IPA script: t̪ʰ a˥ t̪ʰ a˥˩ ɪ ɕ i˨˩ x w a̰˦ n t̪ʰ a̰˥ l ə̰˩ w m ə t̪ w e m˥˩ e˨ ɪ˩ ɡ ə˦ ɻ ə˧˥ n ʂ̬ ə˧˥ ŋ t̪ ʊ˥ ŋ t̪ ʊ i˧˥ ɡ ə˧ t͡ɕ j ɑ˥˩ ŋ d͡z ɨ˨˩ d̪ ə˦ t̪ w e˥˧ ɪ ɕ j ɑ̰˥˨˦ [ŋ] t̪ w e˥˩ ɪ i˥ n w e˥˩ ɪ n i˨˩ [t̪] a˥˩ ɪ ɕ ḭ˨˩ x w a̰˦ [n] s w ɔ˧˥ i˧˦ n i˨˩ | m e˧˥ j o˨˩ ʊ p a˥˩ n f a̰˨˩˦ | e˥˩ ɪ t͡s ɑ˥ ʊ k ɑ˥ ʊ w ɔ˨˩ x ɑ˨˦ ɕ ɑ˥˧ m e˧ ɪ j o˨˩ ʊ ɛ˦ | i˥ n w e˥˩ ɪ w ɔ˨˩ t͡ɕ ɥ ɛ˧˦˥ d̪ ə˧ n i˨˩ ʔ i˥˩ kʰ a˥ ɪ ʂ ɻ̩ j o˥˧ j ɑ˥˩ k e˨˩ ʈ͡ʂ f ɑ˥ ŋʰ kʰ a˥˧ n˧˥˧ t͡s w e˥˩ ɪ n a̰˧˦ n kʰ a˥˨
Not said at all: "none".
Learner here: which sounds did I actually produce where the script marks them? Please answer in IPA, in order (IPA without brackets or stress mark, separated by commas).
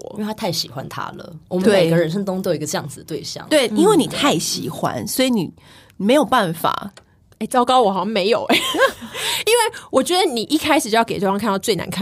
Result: ŋ, t̪ʰ, n